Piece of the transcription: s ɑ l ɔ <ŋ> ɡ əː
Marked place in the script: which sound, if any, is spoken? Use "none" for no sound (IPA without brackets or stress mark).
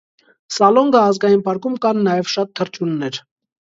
ŋ